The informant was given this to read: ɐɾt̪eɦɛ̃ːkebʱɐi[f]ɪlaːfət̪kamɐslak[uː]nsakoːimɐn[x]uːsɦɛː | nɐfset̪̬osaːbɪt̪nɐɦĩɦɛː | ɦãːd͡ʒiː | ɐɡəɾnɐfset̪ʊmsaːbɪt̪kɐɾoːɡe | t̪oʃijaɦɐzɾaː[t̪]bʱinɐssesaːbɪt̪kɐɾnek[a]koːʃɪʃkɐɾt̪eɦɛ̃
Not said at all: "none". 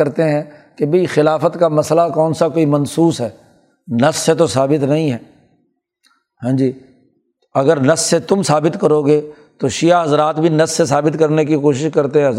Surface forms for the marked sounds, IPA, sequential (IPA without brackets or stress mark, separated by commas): x, ɔː, s, t̪, i